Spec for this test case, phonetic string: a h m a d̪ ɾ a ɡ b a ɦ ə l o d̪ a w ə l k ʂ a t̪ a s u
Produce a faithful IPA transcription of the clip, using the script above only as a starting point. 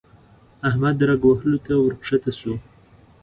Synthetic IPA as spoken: a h m a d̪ ɾ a ɡ w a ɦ ə l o t̪ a w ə ɾ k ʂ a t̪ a s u